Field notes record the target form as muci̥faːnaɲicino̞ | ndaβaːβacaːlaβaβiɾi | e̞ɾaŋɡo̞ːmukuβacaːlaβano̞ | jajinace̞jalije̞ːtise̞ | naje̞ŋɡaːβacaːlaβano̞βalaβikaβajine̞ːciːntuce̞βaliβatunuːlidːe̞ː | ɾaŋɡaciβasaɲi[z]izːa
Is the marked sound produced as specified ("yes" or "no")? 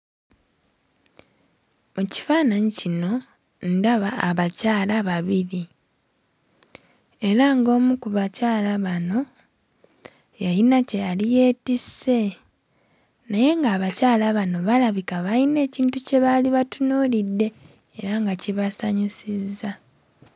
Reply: no